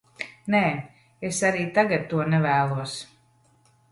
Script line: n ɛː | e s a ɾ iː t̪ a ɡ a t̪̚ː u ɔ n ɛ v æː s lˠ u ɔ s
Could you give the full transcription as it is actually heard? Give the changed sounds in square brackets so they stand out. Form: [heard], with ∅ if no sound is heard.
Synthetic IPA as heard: n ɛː | e s a ɾ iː t̪ a ɡ a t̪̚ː u ɔ n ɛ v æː [∅] lˠ u ɔ s